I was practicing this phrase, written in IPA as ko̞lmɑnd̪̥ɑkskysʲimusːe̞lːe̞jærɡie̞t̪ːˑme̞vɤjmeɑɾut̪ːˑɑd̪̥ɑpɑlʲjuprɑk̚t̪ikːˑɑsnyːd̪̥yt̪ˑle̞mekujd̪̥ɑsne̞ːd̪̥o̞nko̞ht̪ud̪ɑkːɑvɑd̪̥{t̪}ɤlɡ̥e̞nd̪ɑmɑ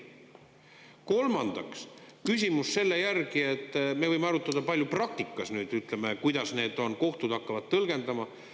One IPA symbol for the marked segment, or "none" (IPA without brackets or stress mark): t̪